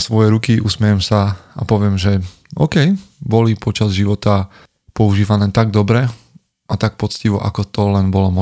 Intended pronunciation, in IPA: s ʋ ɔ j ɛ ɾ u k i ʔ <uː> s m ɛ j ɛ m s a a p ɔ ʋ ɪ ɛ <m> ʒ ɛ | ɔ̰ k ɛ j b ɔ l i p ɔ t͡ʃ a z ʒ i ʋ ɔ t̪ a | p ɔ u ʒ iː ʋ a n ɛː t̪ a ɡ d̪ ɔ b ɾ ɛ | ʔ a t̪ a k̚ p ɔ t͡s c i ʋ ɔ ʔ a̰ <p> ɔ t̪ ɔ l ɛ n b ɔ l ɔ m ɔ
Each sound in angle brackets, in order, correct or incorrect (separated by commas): incorrect, correct, incorrect